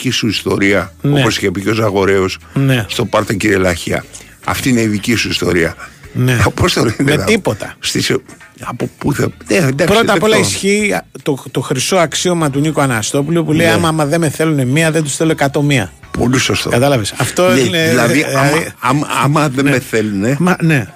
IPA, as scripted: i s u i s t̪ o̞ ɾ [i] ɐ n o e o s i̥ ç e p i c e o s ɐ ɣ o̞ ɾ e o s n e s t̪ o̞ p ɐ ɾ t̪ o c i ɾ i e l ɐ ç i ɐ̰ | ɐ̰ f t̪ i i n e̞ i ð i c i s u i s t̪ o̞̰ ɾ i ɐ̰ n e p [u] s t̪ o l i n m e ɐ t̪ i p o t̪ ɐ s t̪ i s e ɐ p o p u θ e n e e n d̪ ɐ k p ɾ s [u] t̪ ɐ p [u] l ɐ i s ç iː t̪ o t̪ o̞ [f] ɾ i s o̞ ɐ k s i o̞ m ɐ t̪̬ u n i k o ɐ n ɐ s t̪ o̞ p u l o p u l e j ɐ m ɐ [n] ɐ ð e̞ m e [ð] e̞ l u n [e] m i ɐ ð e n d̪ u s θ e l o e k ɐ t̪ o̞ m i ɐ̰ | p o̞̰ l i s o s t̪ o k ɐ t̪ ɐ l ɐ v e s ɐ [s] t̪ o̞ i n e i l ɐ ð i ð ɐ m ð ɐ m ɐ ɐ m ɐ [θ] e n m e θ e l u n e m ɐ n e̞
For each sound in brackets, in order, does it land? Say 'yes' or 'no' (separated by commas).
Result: yes, no, no, no, no, no, no, yes, no, no